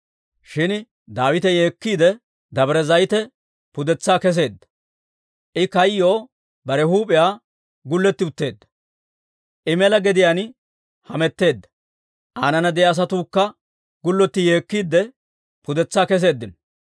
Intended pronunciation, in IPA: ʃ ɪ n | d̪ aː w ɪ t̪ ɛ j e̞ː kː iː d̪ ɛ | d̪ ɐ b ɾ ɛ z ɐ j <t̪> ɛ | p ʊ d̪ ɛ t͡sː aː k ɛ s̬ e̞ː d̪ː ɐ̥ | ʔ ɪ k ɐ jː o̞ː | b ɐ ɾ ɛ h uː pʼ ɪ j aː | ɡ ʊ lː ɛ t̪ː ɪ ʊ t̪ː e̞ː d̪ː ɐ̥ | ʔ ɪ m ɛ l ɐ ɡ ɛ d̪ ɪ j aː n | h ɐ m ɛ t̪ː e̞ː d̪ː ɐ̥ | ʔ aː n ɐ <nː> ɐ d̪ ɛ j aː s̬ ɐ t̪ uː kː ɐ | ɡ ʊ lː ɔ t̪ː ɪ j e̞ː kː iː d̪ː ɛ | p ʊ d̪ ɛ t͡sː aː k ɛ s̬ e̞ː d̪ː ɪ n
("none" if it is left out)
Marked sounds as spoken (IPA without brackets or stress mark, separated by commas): t̪, n